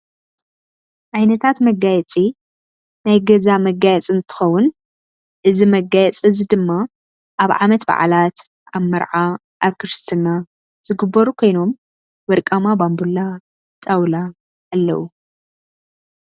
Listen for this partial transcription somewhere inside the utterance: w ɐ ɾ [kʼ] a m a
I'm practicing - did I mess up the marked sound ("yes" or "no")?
no